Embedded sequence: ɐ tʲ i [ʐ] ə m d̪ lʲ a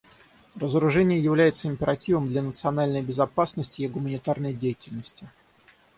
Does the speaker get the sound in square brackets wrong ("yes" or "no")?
yes